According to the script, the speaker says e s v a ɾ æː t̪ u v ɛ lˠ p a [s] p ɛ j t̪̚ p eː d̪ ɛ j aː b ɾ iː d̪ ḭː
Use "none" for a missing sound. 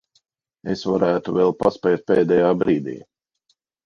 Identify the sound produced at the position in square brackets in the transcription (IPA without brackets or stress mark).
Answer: s